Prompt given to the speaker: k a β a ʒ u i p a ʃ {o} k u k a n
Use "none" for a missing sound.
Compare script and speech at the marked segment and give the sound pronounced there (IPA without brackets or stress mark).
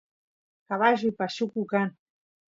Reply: u